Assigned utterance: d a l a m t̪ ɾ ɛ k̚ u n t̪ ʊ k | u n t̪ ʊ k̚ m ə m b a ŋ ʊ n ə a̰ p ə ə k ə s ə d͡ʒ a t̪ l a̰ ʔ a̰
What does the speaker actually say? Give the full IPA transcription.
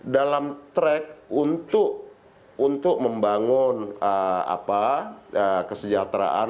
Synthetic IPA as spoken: d a l a m t̪ ɾ ɛ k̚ u n t̪ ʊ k | u n t̪ ʊ k̚ m ə m b a ŋ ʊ n ə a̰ p a ə k ə s ə d͡ʒ a t̪ ɾ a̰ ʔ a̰